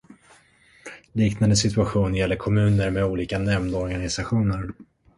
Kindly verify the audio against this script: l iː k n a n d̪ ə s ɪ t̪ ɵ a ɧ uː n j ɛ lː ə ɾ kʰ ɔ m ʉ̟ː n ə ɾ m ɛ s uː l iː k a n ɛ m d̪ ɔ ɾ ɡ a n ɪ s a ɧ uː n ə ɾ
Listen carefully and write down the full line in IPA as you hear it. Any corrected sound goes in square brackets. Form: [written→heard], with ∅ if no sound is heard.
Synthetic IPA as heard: l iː k n a n d̪ ə s ɪ t̪ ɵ a ɧ uː n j ɛ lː ə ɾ kʰ ɔ m ʉ̟ː n ə ɾ m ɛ [s→∅] uː l iː k a n ɛ m d̪ ɔ ɾ ɡ a n ɪ s a ɧ uː n ə ɾ

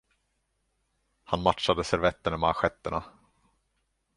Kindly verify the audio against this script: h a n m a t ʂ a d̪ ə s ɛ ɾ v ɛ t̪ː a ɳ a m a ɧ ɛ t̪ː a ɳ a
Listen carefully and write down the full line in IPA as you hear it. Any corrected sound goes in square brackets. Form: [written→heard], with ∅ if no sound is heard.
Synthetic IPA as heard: h a n m a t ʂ a d̪ ə s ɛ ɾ v ɛ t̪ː [a→ə] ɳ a m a ɧ ɛ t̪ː [a→ə] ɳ a

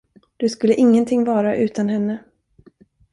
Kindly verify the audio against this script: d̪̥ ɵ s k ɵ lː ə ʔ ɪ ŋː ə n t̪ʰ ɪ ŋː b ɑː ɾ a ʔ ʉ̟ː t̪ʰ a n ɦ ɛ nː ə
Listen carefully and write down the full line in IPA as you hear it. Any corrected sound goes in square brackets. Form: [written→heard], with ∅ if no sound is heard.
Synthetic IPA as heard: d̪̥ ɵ s k ɵ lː ə ʔ ɪ ŋː ə n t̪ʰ ɪ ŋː [b→v] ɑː ɾ a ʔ ʉ̟ː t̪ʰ a n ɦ ɛ nː ə

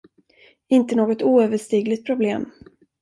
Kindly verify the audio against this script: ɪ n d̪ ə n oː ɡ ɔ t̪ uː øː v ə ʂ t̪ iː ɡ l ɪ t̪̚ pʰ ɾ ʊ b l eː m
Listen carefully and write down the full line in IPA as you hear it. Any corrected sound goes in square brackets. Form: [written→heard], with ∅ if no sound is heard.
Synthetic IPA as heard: ɪ n [d̪→t̪] ə n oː ɡ ɔ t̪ uː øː v ə ʂ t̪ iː ɡ l ɪ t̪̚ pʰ ɾ ʊ b l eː m

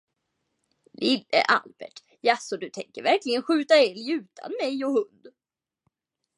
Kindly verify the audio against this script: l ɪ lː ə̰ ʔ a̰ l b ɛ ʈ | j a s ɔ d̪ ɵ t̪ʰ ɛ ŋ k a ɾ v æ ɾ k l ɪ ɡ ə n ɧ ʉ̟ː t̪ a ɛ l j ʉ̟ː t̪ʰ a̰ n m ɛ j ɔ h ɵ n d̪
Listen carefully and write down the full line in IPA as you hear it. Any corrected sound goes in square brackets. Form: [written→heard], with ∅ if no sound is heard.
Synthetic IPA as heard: l ɪ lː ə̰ ʔ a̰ l b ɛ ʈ | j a s ɔ d̪ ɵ t̪ʰ ɛ ŋ k [a→ə] ɾ v æ ɾ k l ɪ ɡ ə n ɧ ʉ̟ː t̪ a ɛ l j ʉ̟ː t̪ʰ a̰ n m ɛ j ɔ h ɵ n d̪

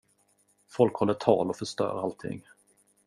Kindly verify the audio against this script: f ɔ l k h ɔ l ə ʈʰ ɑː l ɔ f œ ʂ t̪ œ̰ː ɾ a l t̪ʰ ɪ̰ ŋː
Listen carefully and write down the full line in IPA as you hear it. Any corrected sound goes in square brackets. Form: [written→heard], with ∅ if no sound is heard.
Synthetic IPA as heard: f ɔ l k h ɔ [l→lː] ə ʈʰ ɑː l ɔ f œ ʂ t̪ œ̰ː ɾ a l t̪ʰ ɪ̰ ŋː

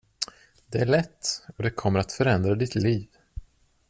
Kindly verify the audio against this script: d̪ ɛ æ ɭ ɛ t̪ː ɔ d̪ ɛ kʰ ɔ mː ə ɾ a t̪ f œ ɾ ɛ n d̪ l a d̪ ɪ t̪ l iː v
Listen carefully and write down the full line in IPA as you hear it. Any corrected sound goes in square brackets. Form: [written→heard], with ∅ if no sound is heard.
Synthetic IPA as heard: d̪ ɛ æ ɭ ɛ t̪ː ɔ d̪ ɛ kʰ ɔ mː ə ɾ a t̪ f œ ɾ ɛ n d̪ [l→ɾ] a d̪ ɪ t̪ l iː v

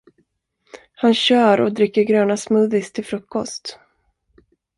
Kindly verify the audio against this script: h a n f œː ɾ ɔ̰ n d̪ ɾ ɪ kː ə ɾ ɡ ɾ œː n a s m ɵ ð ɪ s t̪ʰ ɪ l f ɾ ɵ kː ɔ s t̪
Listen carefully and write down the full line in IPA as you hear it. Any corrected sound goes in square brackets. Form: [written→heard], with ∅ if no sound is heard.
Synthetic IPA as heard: h a n [f→ɕ] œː ɾ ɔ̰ [n→∅] d̪ ɾ ɪ kː ə ɾ ɡ ɾ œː n a s m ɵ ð ɪ s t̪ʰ ɪ l f ɾ ɵ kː ɔ s t̪

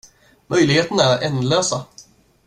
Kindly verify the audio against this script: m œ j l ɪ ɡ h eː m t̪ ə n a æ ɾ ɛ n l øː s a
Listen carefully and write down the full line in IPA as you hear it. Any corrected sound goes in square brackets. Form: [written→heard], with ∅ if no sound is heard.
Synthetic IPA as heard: m œ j l ɪ ɡ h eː [m→∅] t̪ ə n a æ ɾ ɛ n l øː s a

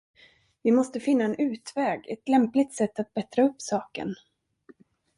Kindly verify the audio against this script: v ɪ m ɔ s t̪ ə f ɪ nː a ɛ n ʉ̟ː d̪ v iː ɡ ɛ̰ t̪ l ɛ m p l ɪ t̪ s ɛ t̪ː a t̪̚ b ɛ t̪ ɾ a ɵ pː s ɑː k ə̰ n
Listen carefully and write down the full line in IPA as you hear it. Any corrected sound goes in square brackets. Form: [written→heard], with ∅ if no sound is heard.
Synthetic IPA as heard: v ɪ m ɔ s t̪ ə f ɪ nː a ɛ n ʉ̟ː [d̪→t̪] v [iː→ɛː] ɡ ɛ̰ t̪ l ɛ m p l ɪ t̪ s ɛ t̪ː a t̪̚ b ɛ t̪ ɾ a ɵ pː s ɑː k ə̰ n

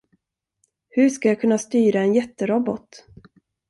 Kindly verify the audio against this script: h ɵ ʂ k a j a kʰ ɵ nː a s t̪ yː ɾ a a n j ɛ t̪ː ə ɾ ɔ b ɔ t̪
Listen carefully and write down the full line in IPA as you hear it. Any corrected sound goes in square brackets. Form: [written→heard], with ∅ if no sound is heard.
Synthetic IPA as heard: h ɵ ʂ k a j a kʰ ɵ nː a s t̪ yː ɾ a [a→ɛ] n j ɛ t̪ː ə ɾ ɔ b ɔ t̪

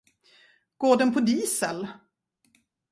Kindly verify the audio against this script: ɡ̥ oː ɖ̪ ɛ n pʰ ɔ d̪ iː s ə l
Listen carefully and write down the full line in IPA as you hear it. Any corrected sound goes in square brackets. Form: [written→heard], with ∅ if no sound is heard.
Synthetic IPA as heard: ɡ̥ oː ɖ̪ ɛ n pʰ ɔ d̪ iː s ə l

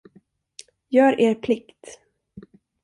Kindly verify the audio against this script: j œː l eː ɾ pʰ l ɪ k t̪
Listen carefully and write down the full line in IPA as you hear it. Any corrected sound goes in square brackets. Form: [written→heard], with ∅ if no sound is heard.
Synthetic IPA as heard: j œː [l→ɾ] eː ɾ pʰ l ɪ k t̪

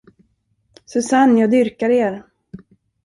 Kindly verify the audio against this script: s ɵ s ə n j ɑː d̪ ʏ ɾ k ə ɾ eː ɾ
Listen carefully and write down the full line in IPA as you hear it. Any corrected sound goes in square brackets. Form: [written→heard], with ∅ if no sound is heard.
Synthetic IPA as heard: s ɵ s [ə→a] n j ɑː d̪ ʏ ɾ k [ə→a] ɾ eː ɾ

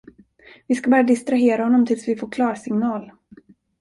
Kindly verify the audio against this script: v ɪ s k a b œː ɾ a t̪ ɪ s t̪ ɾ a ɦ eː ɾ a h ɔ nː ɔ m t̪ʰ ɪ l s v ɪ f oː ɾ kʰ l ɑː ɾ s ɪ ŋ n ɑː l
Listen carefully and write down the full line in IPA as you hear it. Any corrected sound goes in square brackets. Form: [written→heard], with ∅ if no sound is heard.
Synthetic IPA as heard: v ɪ s k a b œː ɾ a [t̪→d̪] ɪ s t̪ ɾ a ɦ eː ɾ a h ɔ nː ɔ m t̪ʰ ɪ l s v ɪ f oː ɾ kʰ l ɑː ɾ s ɪ ŋ n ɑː l

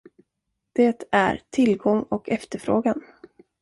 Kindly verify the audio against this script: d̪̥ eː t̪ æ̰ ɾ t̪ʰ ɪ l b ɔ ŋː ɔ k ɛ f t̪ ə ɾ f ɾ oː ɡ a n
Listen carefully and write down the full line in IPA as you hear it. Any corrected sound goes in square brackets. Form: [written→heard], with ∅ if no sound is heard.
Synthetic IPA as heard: d̪̥ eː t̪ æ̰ ɾ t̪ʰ ɪ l [b→ɡ] ɔ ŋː ɔ k ɛ f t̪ ə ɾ f ɾ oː ɡ a n

